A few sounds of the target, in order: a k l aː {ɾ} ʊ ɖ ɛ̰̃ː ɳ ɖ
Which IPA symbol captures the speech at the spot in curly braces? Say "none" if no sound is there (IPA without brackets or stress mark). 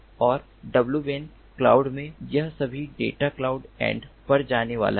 none